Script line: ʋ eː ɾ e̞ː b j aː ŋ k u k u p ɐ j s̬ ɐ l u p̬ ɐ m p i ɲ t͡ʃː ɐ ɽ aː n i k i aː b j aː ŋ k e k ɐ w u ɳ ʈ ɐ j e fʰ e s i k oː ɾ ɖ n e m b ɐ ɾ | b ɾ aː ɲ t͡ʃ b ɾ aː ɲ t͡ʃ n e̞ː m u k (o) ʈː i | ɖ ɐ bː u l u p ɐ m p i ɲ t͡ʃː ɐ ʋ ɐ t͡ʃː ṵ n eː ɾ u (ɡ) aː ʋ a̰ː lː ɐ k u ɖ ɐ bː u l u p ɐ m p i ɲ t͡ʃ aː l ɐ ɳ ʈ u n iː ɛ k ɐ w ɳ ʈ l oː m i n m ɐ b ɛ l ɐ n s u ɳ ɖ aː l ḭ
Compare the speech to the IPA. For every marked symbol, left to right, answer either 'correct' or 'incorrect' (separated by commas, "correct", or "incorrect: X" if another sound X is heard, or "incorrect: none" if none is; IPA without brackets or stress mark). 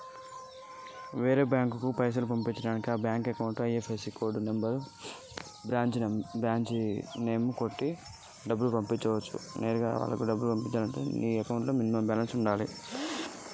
correct, correct